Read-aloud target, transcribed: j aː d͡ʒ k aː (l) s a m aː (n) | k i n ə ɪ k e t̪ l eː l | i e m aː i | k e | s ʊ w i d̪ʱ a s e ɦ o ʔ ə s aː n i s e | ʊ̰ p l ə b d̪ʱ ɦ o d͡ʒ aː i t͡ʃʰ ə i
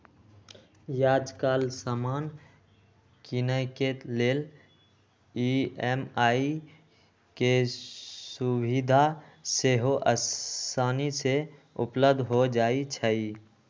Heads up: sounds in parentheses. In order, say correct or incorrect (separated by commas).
correct, correct